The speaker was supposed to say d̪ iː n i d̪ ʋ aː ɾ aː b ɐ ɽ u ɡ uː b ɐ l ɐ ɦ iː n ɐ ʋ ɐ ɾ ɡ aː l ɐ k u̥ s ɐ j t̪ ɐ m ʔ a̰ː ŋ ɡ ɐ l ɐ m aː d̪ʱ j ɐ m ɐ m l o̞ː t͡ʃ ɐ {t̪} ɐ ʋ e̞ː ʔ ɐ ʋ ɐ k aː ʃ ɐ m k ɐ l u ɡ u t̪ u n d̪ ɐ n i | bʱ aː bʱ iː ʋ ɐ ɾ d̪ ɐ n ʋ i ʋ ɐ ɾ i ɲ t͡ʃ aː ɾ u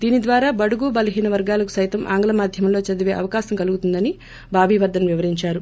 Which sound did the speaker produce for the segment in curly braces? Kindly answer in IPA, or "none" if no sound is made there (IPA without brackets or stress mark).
d̪